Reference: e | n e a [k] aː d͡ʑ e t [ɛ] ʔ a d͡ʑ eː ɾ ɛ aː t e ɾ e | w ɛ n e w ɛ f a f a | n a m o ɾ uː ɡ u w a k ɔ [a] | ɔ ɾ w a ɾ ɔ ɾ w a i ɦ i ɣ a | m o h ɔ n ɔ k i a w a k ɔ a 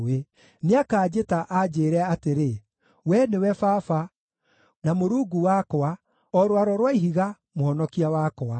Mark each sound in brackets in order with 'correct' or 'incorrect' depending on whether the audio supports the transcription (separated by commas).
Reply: correct, incorrect, correct